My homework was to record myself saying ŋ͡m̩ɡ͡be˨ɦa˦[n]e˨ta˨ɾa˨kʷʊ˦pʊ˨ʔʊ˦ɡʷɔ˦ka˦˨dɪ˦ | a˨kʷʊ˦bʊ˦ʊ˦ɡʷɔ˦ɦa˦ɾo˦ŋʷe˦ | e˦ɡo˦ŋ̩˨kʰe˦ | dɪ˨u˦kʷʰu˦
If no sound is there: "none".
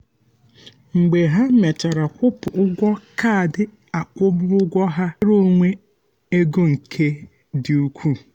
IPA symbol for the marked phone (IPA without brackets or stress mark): m